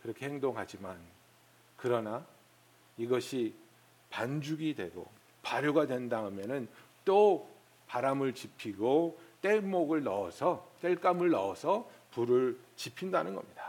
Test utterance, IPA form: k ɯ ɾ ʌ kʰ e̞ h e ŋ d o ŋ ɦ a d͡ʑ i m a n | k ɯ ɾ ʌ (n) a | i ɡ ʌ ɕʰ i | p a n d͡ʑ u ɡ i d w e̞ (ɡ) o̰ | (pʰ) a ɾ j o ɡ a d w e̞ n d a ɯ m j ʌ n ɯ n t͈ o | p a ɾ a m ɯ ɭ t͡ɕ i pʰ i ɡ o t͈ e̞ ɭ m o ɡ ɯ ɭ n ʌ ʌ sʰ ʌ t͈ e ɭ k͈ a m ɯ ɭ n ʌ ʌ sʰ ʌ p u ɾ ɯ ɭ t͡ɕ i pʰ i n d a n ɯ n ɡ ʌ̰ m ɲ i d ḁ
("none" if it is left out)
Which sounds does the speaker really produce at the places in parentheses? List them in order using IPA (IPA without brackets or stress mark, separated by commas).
n, ɡ, p